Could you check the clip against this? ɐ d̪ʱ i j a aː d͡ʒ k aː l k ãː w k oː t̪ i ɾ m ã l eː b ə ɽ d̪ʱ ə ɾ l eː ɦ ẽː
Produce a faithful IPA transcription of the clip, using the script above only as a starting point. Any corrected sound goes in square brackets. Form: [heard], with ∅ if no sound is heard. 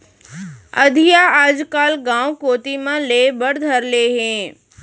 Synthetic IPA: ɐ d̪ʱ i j a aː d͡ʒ k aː l [ɡ] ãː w k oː t̪ i [∅] m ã l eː b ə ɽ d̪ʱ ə ɾ l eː ɦ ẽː